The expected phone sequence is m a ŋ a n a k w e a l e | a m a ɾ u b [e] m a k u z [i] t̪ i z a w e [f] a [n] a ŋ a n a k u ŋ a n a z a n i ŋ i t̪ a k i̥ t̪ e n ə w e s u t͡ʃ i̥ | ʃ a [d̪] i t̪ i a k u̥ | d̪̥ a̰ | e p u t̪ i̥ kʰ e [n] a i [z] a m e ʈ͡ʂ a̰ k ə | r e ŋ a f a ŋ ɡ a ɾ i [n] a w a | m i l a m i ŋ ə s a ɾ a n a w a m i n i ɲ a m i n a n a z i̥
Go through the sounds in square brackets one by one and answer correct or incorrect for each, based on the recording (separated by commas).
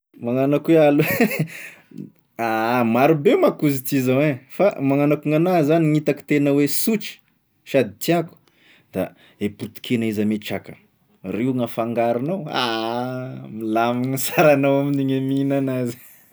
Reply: correct, correct, correct, incorrect, correct, correct, correct, correct